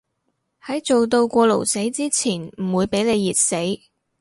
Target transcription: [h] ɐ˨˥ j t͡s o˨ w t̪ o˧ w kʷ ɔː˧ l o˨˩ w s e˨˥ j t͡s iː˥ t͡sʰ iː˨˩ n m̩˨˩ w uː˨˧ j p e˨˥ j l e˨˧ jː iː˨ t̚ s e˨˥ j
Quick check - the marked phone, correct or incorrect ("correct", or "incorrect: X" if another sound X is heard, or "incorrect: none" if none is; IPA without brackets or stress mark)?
correct